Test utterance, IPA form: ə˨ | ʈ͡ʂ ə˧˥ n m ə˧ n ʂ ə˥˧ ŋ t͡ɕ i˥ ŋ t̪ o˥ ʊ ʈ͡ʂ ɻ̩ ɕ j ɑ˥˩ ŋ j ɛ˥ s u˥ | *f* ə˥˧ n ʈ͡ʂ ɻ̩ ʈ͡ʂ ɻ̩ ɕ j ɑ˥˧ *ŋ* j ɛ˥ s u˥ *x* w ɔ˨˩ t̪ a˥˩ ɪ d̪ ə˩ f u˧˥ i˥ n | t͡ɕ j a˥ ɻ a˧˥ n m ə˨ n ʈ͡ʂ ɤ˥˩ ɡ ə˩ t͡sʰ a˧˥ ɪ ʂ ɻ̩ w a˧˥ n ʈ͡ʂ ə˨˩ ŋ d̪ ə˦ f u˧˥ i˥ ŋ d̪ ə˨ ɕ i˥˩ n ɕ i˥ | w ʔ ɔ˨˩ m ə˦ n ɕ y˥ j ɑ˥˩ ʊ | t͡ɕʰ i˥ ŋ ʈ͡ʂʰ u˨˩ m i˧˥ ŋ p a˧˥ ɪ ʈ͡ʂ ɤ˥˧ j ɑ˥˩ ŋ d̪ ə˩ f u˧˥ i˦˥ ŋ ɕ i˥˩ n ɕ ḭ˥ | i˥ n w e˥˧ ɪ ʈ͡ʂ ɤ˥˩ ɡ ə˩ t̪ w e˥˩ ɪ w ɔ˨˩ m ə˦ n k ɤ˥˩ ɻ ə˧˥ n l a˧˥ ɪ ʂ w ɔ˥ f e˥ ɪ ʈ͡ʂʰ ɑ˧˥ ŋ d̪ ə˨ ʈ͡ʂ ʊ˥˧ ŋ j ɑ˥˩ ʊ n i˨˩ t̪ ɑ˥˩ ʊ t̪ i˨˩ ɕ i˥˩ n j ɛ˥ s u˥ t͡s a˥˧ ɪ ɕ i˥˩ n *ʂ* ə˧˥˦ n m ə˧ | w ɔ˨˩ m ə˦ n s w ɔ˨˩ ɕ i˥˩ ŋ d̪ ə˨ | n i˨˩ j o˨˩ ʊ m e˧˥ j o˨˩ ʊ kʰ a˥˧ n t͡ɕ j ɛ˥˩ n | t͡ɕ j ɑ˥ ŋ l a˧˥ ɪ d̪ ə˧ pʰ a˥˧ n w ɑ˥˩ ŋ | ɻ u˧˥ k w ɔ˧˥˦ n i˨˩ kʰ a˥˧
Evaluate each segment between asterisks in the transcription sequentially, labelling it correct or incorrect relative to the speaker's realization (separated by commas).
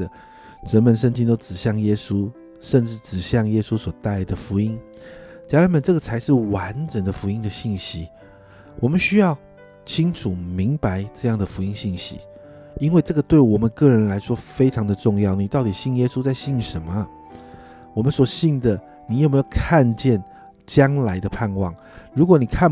incorrect, correct, incorrect, correct